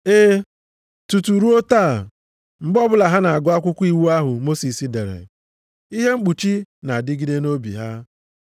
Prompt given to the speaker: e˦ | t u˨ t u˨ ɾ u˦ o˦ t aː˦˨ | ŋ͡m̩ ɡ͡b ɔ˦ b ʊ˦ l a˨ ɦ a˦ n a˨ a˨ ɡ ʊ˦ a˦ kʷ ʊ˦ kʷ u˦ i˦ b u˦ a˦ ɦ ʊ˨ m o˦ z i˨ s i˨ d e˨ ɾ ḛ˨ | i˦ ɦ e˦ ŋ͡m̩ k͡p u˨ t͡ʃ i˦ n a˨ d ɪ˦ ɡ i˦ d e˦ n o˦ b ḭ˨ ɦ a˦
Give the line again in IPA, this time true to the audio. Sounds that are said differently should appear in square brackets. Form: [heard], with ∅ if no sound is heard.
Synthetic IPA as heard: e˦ | t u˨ t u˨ ɾ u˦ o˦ t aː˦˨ | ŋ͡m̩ ɡ͡b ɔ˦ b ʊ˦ l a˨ ɦ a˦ n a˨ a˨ ɡ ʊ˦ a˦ kʷ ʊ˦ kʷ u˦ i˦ [w] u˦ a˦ ɦ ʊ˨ m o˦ [s] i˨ s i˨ d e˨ ɾ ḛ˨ | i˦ ɦ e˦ ŋ͡m̩ k͡p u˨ t͡ʃ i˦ n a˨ d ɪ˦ ɡ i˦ d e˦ n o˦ b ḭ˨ ɦ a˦